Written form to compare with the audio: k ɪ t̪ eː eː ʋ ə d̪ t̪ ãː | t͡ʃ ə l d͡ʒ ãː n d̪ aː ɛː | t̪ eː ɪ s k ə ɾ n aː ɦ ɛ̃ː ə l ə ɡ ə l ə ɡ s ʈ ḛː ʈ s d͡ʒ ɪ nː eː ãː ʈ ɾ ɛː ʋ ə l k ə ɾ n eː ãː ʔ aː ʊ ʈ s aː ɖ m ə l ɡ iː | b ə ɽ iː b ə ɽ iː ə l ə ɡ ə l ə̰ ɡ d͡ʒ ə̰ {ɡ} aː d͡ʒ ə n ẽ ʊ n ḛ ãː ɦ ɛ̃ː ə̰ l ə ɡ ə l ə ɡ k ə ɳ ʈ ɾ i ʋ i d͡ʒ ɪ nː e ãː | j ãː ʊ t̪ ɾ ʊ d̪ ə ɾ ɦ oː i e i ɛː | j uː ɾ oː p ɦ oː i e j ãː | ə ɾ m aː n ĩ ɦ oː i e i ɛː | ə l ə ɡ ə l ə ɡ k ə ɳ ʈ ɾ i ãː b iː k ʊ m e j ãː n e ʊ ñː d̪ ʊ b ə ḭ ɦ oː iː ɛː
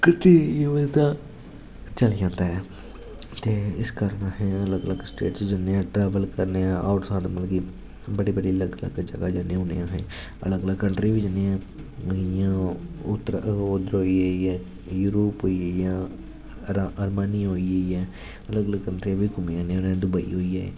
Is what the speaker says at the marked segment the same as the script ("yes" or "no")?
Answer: yes